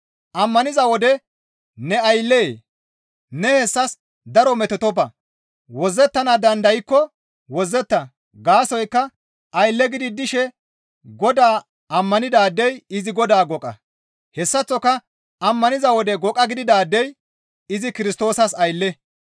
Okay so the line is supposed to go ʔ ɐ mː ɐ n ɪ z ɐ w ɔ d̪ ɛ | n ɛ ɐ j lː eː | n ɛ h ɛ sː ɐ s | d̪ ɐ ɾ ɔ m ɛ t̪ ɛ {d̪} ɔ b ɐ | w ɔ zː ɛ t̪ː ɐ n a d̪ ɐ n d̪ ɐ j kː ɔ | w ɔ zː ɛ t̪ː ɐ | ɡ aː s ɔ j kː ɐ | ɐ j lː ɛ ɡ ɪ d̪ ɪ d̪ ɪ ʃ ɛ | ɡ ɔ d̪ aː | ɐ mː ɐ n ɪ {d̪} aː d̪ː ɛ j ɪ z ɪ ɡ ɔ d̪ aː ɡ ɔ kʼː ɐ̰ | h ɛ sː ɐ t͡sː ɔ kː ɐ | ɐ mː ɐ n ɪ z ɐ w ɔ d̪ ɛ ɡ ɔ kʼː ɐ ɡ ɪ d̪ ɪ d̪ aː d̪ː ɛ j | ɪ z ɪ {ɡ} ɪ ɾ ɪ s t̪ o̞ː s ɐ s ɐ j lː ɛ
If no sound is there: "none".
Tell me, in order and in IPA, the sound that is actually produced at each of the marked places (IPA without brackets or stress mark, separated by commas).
t̪, d̪, k